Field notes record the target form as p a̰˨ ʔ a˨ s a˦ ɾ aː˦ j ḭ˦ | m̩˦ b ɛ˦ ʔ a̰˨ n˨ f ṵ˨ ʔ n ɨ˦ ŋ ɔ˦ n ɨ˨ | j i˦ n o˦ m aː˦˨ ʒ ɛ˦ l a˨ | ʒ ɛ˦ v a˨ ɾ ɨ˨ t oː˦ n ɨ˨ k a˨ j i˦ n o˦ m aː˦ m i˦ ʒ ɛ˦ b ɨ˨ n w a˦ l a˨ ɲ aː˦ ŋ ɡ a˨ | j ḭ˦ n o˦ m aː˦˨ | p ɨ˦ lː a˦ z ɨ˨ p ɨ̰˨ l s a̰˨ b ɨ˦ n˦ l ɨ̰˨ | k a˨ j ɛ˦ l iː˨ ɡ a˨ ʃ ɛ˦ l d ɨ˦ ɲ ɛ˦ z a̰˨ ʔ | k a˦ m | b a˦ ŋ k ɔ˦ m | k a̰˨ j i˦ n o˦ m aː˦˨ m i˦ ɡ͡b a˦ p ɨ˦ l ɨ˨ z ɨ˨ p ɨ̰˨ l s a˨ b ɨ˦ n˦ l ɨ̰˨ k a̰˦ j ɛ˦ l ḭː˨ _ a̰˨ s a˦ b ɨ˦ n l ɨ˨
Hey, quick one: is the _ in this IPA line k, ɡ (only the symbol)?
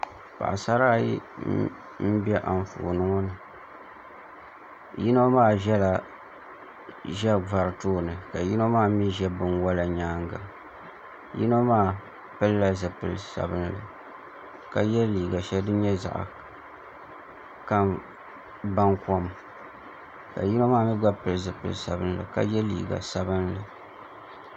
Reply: ɡ